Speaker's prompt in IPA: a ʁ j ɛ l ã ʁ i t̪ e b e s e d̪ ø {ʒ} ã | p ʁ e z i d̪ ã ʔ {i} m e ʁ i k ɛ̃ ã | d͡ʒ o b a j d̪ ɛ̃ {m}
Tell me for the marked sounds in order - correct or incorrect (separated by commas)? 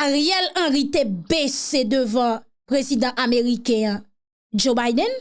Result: incorrect, incorrect, incorrect